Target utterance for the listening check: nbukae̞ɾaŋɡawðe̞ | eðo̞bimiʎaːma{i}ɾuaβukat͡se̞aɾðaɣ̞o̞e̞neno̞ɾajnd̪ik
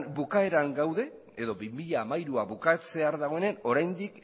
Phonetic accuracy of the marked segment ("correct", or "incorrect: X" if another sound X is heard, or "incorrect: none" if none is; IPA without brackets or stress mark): incorrect: j